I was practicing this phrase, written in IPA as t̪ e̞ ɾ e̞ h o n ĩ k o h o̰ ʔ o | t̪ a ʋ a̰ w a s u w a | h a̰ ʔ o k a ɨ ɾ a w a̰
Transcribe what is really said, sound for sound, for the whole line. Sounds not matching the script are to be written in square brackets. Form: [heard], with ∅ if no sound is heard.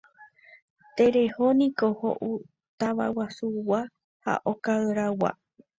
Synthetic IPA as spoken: t̪ e̞ ɾ e̞ h o n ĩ k o h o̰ ʔ [u] | t̪ a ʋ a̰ w a s u w a | h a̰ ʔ o k a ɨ ɾ a w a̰